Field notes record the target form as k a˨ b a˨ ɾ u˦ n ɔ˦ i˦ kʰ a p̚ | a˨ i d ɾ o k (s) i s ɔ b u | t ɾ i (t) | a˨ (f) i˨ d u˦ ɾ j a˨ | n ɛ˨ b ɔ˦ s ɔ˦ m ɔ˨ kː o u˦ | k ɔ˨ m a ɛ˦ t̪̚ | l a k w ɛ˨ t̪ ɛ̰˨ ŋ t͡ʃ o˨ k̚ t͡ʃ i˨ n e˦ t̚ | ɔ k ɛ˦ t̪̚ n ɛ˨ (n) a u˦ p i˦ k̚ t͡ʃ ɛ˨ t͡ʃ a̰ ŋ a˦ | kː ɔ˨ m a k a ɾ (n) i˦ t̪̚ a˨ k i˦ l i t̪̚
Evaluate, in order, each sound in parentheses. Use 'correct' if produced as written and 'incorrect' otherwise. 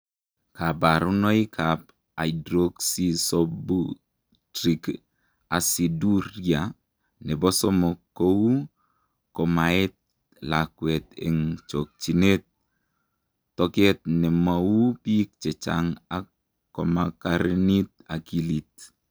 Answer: correct, incorrect, incorrect, incorrect, correct

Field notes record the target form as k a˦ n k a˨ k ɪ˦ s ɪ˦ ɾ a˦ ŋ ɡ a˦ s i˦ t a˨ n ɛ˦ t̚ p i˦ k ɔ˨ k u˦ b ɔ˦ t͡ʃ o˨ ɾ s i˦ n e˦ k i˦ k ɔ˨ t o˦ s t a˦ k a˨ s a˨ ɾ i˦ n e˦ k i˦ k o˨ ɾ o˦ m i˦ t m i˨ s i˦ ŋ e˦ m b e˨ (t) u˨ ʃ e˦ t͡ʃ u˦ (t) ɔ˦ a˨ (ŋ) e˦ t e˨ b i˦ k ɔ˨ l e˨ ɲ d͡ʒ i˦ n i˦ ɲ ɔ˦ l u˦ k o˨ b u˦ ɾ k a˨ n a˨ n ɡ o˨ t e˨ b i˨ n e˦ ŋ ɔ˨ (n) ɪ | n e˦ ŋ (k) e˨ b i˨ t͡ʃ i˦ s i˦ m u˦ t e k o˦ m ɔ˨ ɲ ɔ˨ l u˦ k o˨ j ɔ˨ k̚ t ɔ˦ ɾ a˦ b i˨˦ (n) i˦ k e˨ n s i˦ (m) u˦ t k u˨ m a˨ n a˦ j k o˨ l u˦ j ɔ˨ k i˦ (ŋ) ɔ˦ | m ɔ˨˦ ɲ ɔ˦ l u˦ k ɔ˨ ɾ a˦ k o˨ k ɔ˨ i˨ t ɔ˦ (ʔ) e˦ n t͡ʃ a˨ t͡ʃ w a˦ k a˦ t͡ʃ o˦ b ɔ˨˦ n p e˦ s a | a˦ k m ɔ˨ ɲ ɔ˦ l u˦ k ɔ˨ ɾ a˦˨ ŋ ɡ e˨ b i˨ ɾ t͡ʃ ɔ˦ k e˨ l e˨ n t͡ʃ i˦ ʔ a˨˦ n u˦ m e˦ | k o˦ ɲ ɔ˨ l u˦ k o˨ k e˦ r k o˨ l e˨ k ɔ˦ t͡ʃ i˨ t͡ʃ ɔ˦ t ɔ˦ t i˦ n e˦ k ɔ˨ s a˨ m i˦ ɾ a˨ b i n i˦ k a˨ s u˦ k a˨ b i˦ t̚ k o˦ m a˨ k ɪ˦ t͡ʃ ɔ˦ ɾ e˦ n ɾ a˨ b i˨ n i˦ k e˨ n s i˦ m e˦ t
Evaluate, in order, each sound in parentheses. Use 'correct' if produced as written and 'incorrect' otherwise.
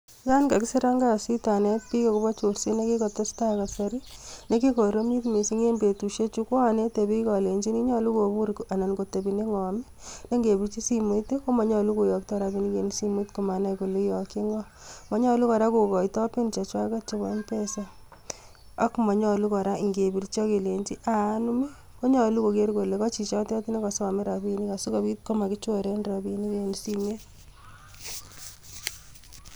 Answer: correct, incorrect, incorrect, incorrect, incorrect, correct, correct, correct, incorrect

